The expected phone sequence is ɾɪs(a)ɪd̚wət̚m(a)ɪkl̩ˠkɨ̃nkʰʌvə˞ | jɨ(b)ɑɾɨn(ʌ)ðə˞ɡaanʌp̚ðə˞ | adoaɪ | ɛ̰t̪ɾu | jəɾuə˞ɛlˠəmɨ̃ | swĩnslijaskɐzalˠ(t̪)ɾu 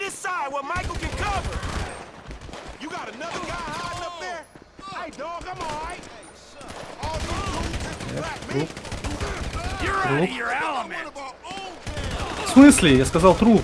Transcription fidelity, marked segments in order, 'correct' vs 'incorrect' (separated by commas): correct, correct, incorrect, correct, correct